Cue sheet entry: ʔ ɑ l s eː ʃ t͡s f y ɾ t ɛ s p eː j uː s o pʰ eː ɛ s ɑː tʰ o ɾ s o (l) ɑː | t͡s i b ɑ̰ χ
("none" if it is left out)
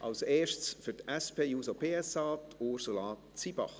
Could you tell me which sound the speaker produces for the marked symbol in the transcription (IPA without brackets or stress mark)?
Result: l